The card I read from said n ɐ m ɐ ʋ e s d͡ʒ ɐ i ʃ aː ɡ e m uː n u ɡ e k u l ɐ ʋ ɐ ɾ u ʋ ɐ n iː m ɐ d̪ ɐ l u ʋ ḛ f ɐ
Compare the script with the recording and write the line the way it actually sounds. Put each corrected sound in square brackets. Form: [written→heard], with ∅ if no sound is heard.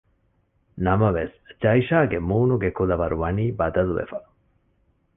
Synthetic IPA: n ɐ m ɐ ʋ e s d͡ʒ ɐ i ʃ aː ɡ e m uː n u ɡ e k u l ɐ ʋ ɐ ɾ u ʋ ɐ n iː [m→b] ɐ d̪ ɐ l u ʋ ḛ f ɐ